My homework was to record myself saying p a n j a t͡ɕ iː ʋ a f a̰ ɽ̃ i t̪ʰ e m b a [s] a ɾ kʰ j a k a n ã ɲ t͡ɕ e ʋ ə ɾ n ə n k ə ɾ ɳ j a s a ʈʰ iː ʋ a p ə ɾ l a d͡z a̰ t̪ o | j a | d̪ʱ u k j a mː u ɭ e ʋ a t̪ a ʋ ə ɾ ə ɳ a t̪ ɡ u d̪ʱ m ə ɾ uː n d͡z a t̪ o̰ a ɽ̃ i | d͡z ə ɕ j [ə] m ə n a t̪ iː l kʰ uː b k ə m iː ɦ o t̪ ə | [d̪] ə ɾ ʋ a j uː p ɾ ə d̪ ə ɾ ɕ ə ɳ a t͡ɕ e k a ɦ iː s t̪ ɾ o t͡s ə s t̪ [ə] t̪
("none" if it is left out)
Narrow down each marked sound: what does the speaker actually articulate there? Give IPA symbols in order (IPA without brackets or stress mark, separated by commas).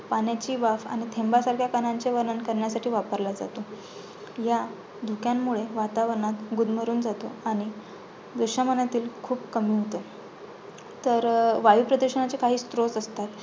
s, a, t̪, a